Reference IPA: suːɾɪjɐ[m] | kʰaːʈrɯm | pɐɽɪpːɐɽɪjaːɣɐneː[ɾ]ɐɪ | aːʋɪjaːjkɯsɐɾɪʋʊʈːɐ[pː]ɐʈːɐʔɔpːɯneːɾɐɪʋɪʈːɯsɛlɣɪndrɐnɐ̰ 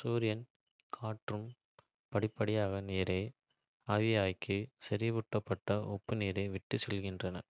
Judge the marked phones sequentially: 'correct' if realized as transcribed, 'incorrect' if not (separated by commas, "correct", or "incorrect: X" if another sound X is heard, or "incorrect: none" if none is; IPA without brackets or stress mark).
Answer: incorrect: n, correct, correct